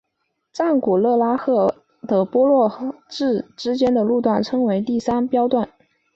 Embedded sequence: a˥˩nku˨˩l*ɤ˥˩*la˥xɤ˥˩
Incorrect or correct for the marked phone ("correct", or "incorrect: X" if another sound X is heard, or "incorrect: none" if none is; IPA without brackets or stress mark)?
correct